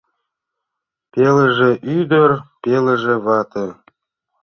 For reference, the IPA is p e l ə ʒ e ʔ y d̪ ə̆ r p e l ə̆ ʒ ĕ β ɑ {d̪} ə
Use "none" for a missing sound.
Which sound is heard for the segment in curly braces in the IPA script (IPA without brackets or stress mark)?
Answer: t̪